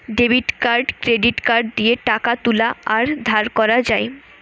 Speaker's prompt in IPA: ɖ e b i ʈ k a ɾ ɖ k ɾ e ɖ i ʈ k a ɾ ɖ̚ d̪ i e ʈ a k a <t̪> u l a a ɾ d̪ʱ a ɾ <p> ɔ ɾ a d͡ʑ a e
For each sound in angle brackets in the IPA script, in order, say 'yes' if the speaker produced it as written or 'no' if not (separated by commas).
yes, no